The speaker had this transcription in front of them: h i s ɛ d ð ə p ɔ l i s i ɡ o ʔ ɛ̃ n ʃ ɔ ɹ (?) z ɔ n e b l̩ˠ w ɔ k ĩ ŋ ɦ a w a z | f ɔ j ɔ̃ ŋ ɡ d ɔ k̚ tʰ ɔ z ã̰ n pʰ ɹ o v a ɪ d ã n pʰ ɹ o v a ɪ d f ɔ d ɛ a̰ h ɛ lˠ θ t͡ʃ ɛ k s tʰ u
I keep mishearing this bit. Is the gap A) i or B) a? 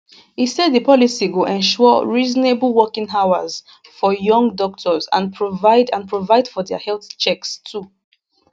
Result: A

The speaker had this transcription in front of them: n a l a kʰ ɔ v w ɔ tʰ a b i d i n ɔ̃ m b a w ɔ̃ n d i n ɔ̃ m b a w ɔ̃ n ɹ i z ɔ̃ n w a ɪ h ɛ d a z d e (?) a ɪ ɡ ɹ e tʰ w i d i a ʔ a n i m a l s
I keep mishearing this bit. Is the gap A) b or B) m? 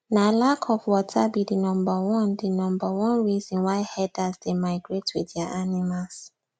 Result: B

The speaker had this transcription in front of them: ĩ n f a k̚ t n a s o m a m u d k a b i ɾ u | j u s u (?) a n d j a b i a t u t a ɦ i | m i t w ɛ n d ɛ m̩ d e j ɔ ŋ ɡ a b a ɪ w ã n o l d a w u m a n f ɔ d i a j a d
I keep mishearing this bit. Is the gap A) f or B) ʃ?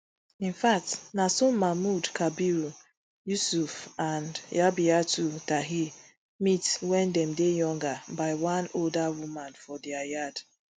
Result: A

